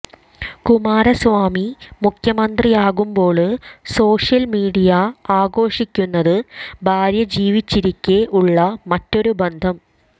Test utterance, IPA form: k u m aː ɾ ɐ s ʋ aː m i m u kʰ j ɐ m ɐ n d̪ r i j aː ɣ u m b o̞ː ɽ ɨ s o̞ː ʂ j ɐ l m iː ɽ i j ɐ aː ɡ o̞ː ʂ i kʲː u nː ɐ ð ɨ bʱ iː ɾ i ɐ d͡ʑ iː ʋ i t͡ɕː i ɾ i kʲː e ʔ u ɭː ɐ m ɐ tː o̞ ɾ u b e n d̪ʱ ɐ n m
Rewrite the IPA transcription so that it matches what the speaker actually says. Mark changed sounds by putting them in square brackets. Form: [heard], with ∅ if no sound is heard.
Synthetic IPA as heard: k u m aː ɾ ɐ s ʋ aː m i m u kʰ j ɐ m ɐ n d̪ r i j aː ɣ u m b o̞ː [ɭ] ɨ s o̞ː ʂ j ɐ l m iː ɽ i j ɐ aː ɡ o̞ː ʂ i kʲː u nː ɐ ð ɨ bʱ [aː] ɾ [j] ɐ d͡ʑ iː ʋ i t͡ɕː i ɾ i kʲː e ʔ u ɭː ɐ m ɐ tː o̞ ɾ u b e n d̪ʱ ɐ [∅] m